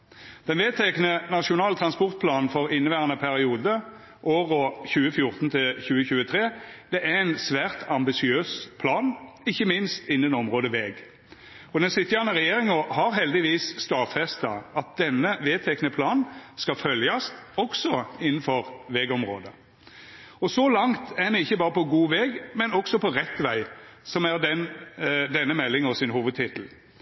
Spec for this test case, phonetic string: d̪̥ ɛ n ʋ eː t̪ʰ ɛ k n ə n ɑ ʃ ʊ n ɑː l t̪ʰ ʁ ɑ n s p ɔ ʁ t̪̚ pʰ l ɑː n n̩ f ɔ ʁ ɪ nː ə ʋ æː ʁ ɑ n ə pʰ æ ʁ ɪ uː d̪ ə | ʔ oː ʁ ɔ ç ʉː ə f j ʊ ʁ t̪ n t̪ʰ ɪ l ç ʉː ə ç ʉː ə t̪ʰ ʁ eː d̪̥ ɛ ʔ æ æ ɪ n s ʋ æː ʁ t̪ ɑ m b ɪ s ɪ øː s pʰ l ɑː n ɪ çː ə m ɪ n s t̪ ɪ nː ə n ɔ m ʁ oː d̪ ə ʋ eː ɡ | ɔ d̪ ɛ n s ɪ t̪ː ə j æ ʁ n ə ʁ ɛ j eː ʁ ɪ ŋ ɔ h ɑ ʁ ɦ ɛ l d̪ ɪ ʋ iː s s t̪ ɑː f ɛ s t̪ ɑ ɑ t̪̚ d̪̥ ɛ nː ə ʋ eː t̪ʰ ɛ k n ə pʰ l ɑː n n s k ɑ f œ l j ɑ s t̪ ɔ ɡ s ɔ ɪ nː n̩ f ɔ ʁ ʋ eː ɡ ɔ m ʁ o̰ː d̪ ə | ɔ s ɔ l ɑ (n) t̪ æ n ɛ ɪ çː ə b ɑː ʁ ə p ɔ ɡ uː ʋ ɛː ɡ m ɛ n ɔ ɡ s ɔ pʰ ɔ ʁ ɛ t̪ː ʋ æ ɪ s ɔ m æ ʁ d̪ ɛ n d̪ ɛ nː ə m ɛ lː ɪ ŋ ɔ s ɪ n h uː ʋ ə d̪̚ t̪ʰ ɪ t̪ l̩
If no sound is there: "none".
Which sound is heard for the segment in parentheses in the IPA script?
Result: ŋ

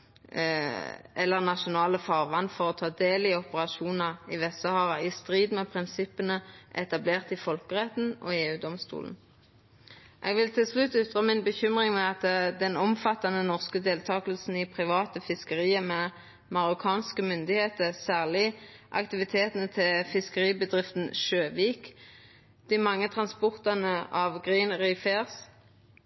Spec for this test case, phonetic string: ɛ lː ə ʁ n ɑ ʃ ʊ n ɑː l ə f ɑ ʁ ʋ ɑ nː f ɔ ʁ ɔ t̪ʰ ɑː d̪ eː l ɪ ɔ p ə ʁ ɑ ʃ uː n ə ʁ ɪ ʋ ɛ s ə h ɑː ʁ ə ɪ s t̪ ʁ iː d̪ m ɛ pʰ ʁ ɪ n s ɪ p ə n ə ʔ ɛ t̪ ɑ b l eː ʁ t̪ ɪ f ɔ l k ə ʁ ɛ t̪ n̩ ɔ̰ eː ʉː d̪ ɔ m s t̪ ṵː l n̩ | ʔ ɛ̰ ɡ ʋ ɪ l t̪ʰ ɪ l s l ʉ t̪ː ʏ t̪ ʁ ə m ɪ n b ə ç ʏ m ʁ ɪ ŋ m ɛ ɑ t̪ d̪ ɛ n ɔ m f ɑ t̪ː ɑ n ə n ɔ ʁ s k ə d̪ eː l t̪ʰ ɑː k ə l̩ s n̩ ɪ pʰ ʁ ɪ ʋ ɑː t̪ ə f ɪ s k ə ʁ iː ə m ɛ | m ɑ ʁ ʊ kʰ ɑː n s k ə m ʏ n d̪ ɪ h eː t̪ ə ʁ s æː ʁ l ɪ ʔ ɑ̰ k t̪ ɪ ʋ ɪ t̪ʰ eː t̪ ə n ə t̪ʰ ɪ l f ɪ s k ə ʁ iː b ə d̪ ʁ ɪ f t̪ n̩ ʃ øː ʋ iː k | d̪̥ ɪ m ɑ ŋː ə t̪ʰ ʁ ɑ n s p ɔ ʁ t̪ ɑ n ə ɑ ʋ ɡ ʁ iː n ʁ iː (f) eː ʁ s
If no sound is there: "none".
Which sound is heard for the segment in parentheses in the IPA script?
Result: f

